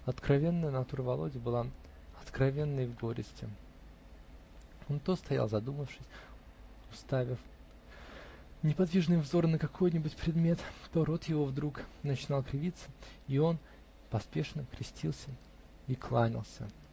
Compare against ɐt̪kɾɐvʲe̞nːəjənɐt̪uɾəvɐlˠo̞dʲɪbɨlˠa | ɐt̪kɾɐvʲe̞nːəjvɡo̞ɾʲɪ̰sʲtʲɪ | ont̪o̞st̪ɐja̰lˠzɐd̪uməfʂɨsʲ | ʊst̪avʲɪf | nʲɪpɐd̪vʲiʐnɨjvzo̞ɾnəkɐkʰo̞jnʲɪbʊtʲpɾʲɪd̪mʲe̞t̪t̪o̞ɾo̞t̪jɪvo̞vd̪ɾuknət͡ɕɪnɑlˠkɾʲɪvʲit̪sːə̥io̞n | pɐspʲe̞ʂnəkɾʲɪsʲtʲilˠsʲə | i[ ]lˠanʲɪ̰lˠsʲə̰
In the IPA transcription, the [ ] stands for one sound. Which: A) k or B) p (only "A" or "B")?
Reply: A